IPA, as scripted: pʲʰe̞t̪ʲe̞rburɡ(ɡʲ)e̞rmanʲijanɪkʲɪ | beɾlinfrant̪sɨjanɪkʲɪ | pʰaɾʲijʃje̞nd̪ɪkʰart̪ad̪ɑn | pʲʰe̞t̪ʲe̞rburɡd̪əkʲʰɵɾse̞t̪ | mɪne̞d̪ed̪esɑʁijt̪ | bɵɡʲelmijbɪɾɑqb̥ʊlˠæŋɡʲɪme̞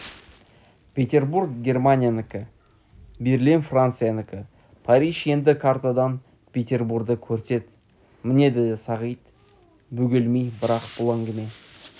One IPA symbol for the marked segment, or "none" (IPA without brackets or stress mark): ɡʲ